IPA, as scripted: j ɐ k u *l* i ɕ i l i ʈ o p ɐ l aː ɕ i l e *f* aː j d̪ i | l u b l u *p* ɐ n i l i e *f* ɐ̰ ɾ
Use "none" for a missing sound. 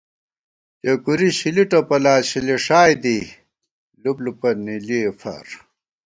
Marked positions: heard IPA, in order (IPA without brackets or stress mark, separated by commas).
ɾ, ʂ, p, f